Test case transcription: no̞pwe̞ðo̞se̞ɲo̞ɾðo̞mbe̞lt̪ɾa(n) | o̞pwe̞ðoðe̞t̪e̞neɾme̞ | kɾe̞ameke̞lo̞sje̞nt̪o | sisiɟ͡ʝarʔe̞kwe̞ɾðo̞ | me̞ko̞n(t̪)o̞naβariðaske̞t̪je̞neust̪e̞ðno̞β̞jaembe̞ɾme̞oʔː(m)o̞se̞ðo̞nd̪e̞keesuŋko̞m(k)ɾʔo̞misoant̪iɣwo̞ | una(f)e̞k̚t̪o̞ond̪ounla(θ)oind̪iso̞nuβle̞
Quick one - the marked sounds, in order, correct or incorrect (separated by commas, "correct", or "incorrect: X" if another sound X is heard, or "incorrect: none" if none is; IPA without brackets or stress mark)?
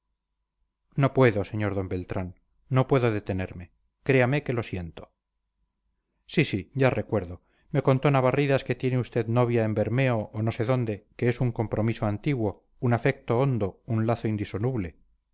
incorrect: nː, correct, incorrect: n, incorrect: p, correct, correct